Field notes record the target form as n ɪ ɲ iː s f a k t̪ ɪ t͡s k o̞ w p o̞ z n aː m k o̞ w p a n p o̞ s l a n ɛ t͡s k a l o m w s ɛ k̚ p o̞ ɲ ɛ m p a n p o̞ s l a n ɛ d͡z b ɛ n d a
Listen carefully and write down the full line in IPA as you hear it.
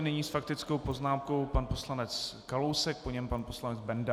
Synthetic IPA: n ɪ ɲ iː s f a k t̪ ɪ t͡s k o̞ w p o̞ z n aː m k o̞ w p a n p o̞ s l a n ɛ t͡s k a l o w s ɛ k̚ p o̞ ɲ ɛ m p a n p o̞ s l a n ɛ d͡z b ɛ n d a